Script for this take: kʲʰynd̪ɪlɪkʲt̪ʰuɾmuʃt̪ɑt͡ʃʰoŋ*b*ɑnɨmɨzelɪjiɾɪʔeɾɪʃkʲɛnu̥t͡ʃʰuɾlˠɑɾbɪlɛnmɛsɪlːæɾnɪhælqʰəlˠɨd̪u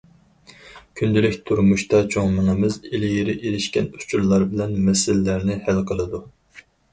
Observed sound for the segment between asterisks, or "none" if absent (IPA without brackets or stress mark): m